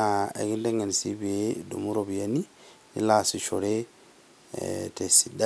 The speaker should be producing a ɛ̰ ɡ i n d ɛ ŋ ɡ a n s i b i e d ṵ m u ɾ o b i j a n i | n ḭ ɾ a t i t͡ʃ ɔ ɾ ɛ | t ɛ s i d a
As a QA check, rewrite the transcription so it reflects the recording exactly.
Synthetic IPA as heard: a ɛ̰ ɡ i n d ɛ ŋ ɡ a n s i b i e d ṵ m u ɾ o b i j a n i | n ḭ l a s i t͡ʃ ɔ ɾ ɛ | t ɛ s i d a